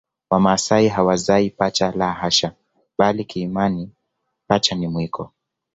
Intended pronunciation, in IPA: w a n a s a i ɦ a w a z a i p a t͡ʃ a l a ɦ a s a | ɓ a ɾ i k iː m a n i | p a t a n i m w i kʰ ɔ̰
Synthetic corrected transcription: w a m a s a i ɦ a w a z a i p a t͡ʃ a l a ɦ a ʃ a | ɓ a l i k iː m a n i | p a t͡ʃ a n i m w i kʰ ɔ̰